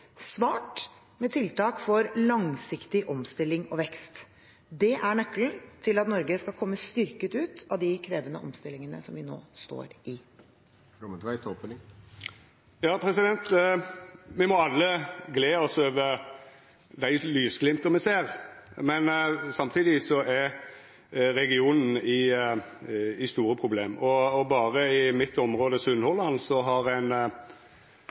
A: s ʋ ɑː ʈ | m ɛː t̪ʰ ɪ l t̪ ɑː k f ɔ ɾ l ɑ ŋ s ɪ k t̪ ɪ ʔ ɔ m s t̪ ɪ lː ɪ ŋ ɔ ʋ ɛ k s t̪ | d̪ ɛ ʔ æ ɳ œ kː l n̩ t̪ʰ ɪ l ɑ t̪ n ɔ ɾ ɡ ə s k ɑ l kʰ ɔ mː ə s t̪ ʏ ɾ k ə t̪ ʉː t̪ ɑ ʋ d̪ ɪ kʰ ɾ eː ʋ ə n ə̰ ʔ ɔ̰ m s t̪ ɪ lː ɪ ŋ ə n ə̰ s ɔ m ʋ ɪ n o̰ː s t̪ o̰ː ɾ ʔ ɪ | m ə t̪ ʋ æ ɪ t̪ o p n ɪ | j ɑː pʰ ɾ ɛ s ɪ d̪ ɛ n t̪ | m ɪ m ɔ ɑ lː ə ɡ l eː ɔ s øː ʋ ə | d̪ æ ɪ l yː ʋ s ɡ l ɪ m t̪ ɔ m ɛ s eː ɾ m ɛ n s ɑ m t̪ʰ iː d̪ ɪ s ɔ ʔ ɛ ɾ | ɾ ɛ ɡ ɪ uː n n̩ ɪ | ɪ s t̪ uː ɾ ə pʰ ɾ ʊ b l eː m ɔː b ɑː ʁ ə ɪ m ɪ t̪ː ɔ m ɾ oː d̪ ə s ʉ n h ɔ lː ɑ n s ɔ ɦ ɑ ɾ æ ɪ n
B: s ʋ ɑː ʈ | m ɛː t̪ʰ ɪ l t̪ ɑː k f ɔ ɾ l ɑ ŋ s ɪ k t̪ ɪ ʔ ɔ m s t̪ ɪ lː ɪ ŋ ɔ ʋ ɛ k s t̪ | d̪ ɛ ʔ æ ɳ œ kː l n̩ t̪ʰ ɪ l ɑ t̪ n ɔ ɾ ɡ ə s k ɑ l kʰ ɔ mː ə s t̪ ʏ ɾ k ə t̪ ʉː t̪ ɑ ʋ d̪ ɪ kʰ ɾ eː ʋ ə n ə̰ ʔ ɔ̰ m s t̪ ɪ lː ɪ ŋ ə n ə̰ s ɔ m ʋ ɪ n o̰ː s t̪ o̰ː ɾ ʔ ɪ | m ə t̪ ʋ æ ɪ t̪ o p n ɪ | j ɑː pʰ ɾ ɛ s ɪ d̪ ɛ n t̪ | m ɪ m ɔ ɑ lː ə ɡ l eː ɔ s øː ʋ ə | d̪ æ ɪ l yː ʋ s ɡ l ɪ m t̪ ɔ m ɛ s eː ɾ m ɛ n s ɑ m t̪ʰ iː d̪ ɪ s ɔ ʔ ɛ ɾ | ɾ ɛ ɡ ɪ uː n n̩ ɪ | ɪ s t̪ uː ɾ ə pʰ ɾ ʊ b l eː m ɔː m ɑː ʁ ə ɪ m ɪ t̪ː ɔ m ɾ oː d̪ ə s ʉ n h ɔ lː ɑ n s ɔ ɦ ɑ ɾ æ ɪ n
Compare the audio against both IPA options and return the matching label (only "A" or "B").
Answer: A